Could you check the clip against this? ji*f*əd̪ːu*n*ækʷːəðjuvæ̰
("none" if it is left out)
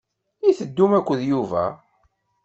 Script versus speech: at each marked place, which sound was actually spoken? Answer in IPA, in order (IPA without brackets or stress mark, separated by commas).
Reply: θ, m